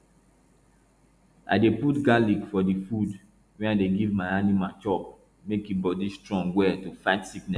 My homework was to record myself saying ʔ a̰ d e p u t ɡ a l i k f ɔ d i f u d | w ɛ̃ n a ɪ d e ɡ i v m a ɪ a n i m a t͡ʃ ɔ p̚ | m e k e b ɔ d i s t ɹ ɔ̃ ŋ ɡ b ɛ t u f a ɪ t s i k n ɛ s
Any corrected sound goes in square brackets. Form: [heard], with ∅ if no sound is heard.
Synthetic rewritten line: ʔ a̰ d e p u t ɡ a l i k f ɔ d i f u d | w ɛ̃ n a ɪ d e ɡ i v m a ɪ a n i m a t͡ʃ ɔ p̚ | m e k [i] b ɔ d i s t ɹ ɔ̃ ŋ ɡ [w] ɛ t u f a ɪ t s i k n ɛ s